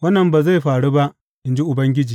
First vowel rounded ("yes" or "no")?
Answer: no